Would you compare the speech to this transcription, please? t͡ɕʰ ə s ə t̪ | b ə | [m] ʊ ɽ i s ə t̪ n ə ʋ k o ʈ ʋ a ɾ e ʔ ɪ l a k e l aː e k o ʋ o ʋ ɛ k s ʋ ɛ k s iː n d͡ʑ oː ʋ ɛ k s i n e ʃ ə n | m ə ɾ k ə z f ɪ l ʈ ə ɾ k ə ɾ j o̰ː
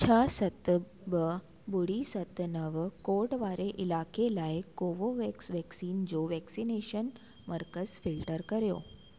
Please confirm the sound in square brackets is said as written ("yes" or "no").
no